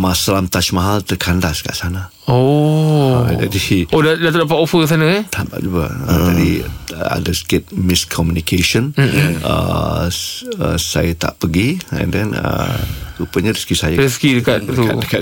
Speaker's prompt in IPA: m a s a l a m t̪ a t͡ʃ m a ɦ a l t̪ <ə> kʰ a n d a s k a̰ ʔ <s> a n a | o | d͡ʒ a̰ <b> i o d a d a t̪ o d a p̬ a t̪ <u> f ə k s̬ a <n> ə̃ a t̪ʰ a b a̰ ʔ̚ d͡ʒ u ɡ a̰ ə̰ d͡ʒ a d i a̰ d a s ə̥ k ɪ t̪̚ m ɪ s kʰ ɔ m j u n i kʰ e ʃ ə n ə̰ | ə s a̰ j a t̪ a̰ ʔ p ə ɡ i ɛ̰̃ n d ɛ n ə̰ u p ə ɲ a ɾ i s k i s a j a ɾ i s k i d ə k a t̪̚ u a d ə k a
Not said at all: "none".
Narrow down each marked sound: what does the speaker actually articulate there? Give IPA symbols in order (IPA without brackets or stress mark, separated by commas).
ə, s, d, o, n